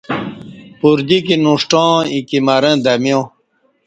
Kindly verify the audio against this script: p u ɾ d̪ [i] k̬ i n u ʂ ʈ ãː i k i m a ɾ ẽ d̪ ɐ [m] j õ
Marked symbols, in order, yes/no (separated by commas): yes, yes